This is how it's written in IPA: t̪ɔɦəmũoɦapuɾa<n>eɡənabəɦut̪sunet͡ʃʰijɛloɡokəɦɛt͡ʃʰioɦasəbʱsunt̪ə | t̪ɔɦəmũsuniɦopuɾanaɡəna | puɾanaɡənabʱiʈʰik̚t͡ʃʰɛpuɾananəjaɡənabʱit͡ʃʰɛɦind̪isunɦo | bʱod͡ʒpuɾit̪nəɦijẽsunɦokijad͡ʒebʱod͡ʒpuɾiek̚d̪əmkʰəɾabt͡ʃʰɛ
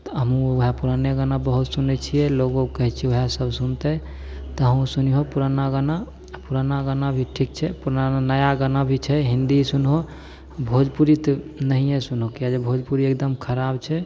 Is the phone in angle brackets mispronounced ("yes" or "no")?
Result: no